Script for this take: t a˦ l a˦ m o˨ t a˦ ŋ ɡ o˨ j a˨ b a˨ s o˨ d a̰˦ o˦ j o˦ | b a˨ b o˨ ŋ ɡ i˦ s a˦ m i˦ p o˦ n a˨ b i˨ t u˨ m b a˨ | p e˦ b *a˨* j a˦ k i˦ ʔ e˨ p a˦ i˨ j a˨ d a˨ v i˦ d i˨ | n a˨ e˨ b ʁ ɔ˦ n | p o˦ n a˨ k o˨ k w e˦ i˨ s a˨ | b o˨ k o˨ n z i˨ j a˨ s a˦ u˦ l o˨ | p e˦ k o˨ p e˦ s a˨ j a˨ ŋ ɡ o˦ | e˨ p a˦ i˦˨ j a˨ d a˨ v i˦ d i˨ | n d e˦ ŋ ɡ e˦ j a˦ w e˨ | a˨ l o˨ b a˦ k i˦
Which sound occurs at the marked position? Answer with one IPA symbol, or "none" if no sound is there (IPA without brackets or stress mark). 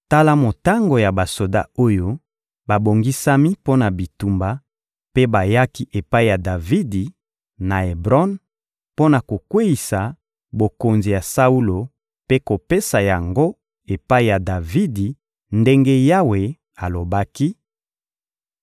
a˨